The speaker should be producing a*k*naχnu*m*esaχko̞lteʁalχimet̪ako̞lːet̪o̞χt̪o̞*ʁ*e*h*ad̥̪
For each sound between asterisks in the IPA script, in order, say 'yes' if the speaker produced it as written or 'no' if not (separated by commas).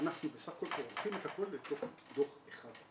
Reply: no, no, no, no